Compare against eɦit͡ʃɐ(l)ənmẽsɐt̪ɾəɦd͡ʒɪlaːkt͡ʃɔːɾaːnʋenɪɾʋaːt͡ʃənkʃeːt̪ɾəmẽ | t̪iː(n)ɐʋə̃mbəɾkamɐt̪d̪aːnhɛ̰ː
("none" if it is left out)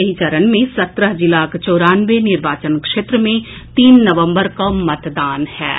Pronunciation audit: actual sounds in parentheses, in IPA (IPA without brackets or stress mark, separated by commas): ɾ, nː